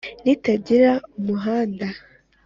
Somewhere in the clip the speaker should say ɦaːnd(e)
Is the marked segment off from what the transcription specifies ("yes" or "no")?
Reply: yes